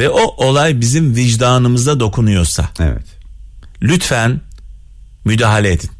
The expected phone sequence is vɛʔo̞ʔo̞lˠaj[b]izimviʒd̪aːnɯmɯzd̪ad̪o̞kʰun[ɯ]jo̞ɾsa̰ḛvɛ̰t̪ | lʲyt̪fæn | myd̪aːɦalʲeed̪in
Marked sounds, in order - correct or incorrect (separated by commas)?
correct, incorrect